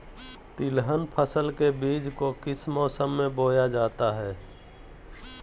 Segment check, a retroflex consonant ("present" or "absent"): absent